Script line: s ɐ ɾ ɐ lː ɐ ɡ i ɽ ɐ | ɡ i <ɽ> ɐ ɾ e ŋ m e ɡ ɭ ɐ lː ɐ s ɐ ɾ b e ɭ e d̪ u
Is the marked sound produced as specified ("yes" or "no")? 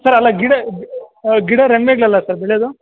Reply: yes